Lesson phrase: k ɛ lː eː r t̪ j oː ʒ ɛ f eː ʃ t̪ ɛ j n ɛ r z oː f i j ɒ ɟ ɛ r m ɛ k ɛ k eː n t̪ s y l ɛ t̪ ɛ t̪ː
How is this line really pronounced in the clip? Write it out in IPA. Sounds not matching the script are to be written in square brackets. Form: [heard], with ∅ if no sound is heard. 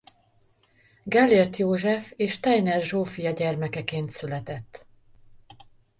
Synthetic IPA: [ɡ] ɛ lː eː r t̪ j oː ʒ ɛ f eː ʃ t̪ ɛ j n ɛ r [ʒ] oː f i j ɒ ɟ ɛ r m ɛ k ɛ k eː n t̪ s y l ɛ t̪ ɛ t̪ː